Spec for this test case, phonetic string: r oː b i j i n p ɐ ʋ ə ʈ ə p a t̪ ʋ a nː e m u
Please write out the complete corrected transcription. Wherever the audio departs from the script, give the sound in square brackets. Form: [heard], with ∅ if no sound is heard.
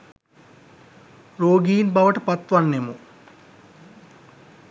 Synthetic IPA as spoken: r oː [ɡ] i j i n [b] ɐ ʋ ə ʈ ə p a t̪ ʋ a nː e m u